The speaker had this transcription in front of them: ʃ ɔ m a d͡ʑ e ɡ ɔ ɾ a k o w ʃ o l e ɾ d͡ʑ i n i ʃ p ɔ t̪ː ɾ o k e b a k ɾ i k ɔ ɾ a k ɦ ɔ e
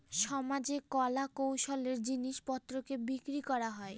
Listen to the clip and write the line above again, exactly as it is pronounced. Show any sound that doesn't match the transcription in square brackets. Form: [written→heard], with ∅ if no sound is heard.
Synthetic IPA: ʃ ɔ m a d͡ʑ e [ɡ→k] ɔ [ɾ→l] a k o w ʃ o l e ɾ d͡ʑ i n i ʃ p ɔ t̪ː ɾ o k e b [a→i] k ɾ i k ɔ ɾ a [k→∅] ɦ ɔ e